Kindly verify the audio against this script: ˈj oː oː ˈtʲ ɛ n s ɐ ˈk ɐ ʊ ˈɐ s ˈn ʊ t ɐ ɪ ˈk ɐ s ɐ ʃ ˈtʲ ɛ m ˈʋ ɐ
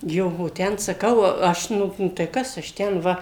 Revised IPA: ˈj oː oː ˈtʲ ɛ n s ɐ ˈk ɐ ʊ ˈɐ ʃ ˈn ʊ t ɐ ɪ ˈk ɐ s ɐ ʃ ˈtʲ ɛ n ˈʋ ɐ